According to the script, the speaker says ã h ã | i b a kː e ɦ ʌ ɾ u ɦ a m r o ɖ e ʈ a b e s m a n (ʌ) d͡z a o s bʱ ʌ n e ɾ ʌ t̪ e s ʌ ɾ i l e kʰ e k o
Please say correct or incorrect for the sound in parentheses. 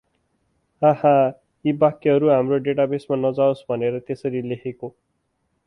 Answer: correct